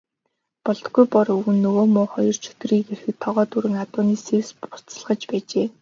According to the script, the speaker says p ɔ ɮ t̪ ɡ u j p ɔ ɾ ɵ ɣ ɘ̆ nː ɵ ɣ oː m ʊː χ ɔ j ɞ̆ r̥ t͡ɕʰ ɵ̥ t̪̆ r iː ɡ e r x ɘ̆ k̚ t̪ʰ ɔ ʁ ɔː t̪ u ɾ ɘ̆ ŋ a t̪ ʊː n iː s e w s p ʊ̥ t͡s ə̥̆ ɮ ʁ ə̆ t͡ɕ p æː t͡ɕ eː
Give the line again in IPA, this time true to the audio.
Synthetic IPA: p ɔ ɮ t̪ ɡ u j p ɔ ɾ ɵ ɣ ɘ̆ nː ɵ ɣ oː m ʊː χ ɔ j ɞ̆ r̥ t͡ɕʰ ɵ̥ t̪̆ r iː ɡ e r x ɘ̆ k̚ t̪ʰ ɔ ʁ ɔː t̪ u ɾ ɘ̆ ŋ a t̪ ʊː n iː s e w s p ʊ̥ t͡s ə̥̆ ɮ ʁ ə̆ t͡ɕ p æː t͡ɕ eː